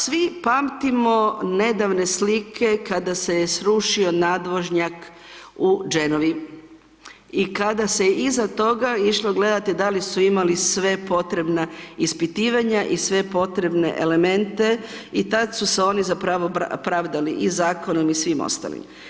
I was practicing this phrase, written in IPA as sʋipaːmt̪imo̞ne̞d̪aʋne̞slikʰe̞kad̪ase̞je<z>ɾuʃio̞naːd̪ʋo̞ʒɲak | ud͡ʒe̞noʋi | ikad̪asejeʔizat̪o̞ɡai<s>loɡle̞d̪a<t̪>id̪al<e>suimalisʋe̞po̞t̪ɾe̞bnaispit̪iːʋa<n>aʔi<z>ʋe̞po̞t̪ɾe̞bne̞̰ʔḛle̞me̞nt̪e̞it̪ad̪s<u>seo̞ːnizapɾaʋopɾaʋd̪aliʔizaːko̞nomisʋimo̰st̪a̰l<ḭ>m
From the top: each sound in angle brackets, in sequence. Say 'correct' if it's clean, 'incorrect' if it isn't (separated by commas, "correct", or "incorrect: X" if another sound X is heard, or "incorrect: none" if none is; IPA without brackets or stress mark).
incorrect: s, incorrect: ʃ, correct, incorrect: i, incorrect: ɲ, incorrect: s, correct, correct